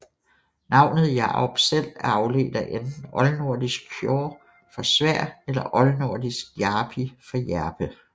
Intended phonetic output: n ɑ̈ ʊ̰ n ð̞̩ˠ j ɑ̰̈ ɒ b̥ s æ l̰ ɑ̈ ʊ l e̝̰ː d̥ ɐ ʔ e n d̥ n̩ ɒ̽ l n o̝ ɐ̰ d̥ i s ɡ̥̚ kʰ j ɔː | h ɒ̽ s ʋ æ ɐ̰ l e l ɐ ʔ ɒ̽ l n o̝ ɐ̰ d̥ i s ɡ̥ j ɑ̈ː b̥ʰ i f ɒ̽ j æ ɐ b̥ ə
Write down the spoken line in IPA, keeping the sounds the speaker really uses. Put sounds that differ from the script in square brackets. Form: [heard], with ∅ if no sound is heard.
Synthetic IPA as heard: n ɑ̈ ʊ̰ n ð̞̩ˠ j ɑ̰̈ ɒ b̥ s [e] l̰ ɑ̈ ʊ l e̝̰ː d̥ ɐ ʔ e n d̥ n̩ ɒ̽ l n o̝ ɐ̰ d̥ i s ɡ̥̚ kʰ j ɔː | [f] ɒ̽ s ʋ æ ɐ̰ [∅] e l ɐ ʔ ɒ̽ l n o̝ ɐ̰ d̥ i s ɡ̥ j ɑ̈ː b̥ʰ i f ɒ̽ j æ ɐ b̥ ə